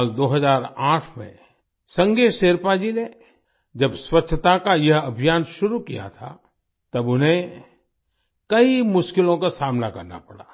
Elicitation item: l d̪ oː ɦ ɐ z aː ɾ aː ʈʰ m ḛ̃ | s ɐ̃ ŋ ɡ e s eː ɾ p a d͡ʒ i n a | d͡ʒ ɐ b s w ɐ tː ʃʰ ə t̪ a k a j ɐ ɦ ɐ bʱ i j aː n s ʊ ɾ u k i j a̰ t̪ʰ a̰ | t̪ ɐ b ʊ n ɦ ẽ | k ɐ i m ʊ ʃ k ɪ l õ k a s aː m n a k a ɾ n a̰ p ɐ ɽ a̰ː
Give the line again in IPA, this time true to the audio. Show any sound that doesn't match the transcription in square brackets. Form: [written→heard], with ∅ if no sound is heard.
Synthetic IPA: l d̪ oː ɦ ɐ z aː ɾ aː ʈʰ m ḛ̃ | s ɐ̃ ŋ ɡ e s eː ɾ p a d͡ʒ i n [a→e] | d͡ʒ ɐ b s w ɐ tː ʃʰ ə t̪ a k a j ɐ ɦ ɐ bʱ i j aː n [s→ʃ] ʊ ɾ u k i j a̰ t̪ʰ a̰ | t̪ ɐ b ʊ n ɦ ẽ | k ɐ i m ʊ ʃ k ɪ l õ k a s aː m n a k [a→ɐ] ɾ n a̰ p ɐ ɽ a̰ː